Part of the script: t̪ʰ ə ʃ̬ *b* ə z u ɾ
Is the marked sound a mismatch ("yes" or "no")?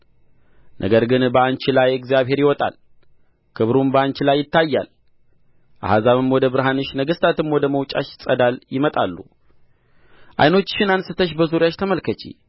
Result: no